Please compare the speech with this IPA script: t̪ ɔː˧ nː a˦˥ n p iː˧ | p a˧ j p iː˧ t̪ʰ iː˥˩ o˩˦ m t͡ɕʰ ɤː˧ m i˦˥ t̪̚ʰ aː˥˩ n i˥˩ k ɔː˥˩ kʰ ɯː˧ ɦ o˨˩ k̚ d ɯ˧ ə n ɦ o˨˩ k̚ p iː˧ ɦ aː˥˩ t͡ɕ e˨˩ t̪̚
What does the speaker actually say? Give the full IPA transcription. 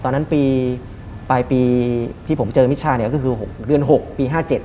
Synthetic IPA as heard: t̪ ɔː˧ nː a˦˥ n p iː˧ | p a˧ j p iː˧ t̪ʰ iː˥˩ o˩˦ m t͡ɕ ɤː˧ m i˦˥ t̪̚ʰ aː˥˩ n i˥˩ k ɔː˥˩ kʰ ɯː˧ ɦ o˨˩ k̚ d ɯ˧ ə n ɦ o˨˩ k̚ p iː˧ ɦ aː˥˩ t͡ɕ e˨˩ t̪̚

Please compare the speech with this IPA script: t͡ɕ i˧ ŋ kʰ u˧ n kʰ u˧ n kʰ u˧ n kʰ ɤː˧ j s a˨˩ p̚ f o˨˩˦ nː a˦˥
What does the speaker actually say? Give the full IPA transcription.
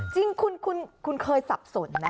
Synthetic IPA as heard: t͡ɕ i˧ ŋ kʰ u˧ n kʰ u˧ n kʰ u˧ n kʰ ɤː˧ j s a˨˩ p̚ s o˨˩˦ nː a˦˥

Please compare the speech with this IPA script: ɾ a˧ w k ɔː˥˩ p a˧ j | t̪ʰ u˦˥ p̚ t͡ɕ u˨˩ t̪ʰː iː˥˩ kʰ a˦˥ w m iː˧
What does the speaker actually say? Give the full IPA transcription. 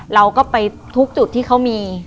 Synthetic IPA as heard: ɾ a˧ w k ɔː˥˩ p a˧ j | t̪ʰ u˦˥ k̚ t͡ɕ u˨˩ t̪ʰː iː˥˩ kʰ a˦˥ w m iː˧

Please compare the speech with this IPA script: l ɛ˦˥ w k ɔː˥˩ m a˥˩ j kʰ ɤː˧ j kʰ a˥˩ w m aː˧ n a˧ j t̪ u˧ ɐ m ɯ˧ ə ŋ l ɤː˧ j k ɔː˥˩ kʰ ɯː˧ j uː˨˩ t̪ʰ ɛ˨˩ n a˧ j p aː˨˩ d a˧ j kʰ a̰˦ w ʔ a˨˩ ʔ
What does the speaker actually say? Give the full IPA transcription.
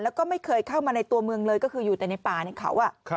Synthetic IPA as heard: l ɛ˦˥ w k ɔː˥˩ m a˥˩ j kʰ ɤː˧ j kʰ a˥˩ w m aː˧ n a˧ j t̪ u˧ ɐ m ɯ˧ ə ŋ l ɤː˧ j k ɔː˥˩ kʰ ɯː˧ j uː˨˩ t̪ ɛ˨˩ n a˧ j p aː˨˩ n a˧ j kʰ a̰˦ w ʔ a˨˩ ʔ

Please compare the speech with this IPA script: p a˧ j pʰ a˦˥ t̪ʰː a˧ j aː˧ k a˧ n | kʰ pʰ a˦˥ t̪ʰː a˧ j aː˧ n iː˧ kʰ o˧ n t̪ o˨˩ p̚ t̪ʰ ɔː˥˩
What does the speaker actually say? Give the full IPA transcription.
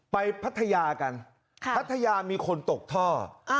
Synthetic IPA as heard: p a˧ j pʰ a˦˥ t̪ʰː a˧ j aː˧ k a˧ n | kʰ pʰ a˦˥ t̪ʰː a˧ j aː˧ m iː˧ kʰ o˧ n t̪ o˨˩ k̚ t̪ʰ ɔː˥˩

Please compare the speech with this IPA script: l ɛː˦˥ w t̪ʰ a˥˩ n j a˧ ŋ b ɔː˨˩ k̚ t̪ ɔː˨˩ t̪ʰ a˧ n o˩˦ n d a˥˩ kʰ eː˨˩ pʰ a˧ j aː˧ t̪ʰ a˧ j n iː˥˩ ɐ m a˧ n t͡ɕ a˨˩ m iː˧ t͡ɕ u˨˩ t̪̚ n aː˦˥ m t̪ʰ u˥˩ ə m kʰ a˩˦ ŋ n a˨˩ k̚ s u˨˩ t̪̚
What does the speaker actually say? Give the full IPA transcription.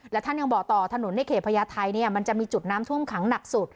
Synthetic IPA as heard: l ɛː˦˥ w t̪ʰ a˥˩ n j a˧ ŋ b ɔː˨˩ k̚ t̪ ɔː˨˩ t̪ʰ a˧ n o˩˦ n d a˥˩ kʰ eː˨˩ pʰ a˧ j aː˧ t̪ʰ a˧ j n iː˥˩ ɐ m a˧ n t͡ɕ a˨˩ m iː˧ t͡ɕ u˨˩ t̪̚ n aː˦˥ m t̪ʰ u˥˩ ə m kʰ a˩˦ ŋ n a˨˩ k̚ s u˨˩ t̪̚

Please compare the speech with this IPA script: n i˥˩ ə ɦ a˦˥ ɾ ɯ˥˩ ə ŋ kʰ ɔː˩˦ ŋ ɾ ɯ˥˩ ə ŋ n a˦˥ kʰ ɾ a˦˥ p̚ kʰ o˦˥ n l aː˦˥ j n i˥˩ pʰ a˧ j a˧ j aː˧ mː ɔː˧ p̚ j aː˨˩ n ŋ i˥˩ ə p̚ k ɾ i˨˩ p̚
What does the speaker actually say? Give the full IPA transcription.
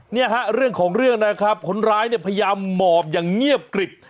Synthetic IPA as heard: n i˥˩ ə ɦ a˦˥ ɾ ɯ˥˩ ə ŋ kʰ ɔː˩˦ ŋ ɾ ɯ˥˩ ə ŋ n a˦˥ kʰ ɾ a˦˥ p̚ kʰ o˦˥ n ɾ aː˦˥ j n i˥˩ pʰ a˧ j a˧ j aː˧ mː ɔː˨˩ p̚ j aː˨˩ ŋ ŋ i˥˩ ə p̚ k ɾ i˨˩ p̚

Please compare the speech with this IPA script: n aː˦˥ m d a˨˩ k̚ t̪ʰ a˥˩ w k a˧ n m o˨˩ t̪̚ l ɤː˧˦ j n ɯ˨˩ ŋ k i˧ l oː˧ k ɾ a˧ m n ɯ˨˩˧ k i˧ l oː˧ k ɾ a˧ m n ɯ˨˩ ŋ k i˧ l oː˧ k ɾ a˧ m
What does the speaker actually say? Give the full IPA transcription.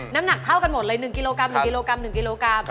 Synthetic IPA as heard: n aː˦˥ m n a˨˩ k̚ t̪ʰ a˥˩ w k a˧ n m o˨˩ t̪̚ l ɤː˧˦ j n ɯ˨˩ ŋ k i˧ l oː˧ k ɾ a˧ m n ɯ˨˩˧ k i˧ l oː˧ k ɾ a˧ m n ɯ˨˩ ŋ k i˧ l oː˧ k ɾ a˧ m

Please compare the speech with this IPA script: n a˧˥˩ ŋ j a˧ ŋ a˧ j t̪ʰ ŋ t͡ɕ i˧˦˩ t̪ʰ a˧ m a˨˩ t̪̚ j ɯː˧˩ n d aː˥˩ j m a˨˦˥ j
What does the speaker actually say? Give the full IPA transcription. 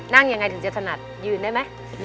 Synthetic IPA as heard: n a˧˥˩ ŋ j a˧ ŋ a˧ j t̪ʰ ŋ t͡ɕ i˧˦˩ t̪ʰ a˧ n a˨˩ t̪̚ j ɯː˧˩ n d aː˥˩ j m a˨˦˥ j

